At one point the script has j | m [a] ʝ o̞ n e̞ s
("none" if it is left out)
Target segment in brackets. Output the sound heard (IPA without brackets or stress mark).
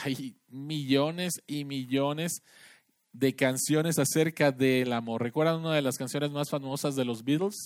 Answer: i